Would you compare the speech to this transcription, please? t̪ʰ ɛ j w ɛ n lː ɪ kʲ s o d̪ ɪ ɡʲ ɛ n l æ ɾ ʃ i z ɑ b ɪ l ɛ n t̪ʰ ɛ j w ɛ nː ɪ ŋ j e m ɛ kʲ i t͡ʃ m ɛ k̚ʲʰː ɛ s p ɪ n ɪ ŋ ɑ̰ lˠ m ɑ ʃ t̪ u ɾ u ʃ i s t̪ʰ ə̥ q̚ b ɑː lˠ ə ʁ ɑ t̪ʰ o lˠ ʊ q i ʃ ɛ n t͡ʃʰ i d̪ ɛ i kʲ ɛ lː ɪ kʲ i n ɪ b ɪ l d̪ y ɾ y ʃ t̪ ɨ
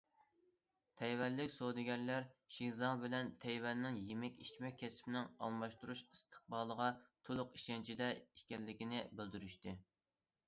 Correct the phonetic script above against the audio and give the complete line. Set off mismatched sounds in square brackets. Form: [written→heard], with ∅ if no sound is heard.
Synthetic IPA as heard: t̪ʰ ɛ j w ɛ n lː ɪ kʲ s o d̪ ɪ ɡʲ ɛ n l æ ɾ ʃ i z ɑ b ɪ l ɛ n t̪ʰ ɛ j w ɛ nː ɪ ŋ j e m ɛ kʲ i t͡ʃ m ɛ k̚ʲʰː ɛ s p ɪ n ɪ ŋ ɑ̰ lˠ m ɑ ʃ t̪ u ɾ u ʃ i s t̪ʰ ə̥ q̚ b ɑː lˠ ə ʁ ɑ t̪ʰ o lˠ ʊ q i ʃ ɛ n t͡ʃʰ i d̪ ɛ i kʲ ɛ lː ɪ kʲ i n ɪ b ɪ l d̪ y ɾ y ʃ t̪ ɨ